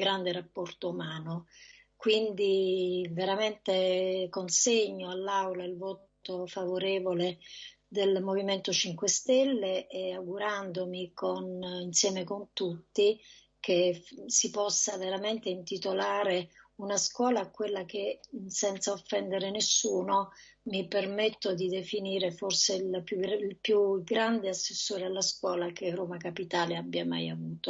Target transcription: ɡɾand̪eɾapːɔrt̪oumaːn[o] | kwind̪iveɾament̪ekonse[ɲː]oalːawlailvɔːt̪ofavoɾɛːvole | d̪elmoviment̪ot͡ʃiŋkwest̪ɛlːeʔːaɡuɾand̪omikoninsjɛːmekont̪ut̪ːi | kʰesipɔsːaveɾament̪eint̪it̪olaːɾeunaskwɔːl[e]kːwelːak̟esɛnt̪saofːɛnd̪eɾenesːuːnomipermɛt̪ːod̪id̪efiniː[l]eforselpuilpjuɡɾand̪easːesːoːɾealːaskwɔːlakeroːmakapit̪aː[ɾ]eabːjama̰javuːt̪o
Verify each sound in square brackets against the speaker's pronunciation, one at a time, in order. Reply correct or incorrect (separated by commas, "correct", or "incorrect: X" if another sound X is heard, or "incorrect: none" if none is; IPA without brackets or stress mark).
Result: correct, correct, incorrect: a, incorrect: ɾ, incorrect: l